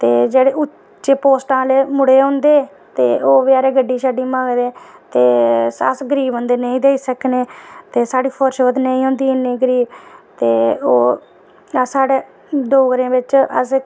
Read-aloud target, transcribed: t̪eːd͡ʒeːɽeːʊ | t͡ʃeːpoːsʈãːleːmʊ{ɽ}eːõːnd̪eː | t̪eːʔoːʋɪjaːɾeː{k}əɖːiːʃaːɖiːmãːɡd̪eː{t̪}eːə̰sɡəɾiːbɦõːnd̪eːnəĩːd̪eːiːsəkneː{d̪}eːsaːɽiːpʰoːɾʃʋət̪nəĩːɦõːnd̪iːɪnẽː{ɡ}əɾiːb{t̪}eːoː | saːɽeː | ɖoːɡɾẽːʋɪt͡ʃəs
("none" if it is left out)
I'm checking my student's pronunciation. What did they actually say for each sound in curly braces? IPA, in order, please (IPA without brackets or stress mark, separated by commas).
ɽ, ɡ, t̪, t̪, ɡ, t̪